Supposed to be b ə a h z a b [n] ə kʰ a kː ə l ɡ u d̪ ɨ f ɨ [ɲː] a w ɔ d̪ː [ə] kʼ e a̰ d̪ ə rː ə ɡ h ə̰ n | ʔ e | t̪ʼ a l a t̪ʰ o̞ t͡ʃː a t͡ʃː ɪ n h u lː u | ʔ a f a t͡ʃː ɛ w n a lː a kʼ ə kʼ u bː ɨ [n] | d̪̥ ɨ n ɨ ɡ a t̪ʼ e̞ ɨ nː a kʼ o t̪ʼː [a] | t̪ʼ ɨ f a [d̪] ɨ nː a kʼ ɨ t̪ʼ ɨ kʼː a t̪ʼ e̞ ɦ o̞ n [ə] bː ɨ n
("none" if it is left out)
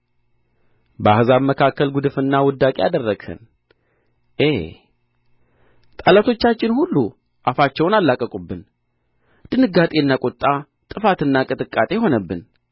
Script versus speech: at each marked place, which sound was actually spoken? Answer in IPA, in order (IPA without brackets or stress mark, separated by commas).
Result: m, nː, a, n, a, t̪, ə